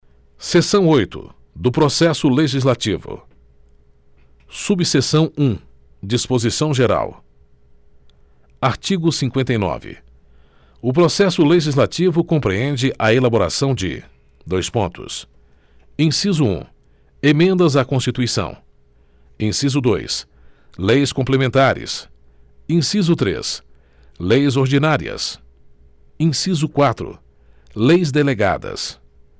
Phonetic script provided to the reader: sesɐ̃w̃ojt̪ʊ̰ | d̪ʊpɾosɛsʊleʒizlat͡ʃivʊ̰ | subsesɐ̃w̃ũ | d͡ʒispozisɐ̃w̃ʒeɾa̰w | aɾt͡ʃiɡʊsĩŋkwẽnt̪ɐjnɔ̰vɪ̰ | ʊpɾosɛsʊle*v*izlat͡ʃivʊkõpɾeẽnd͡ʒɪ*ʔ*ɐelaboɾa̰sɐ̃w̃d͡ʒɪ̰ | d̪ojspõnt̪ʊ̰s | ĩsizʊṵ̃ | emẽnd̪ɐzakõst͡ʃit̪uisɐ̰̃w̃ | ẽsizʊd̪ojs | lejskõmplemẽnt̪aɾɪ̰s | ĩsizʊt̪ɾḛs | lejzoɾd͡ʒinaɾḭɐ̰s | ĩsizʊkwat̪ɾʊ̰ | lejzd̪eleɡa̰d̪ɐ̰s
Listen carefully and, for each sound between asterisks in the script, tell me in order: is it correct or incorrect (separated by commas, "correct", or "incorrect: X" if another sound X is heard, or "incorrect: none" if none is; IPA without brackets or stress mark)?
incorrect: ʒ, correct